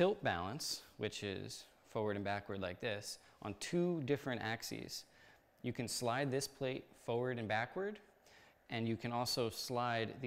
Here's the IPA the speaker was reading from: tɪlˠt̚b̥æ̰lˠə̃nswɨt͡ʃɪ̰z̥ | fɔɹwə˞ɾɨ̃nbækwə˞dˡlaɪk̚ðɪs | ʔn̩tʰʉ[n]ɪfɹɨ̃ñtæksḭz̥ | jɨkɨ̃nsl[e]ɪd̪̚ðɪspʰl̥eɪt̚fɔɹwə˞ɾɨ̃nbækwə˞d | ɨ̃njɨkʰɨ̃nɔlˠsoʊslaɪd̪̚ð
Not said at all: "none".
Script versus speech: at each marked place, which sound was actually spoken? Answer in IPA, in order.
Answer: d, a

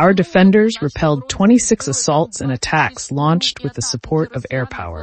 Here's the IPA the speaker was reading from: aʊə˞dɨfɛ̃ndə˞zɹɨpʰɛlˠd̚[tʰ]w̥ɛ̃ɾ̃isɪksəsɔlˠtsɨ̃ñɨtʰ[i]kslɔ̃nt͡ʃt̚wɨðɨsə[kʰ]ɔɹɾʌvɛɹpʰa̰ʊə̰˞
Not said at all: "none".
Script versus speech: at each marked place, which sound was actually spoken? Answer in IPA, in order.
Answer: tʰ, æ, pʰ

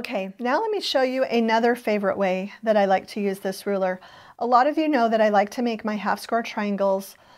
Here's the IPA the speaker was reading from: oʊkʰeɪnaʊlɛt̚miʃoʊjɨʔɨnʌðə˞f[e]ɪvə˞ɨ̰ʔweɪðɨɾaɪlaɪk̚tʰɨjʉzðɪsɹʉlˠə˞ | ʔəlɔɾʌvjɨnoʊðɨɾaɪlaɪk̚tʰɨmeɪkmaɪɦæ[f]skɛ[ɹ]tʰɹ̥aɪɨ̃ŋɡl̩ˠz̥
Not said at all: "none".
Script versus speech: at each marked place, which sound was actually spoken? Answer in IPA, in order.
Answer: e, f, ɹ

